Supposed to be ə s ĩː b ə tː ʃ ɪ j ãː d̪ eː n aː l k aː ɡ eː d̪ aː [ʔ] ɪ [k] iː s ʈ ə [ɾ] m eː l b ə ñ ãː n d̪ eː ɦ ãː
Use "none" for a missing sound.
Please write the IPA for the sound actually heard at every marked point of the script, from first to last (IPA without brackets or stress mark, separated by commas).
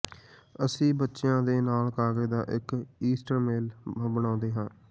ʔ, k, ɾ